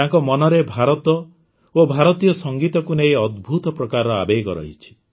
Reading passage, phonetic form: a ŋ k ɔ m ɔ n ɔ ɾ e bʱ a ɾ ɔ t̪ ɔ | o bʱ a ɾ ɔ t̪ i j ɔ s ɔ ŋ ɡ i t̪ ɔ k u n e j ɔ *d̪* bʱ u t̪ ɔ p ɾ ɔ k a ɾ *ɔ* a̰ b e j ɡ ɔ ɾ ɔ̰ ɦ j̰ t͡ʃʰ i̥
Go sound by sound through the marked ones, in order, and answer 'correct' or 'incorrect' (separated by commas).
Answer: correct, correct